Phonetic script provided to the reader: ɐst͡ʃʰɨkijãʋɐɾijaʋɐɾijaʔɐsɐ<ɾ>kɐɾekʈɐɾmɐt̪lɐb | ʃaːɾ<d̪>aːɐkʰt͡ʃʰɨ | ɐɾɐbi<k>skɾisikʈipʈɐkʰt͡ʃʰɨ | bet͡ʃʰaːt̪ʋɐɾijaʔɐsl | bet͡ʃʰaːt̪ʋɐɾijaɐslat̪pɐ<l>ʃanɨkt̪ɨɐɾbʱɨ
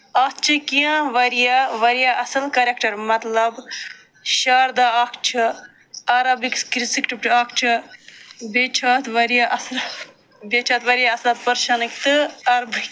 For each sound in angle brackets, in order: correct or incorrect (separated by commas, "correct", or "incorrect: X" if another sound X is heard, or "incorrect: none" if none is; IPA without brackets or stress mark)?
incorrect: l, correct, correct, incorrect: ɾ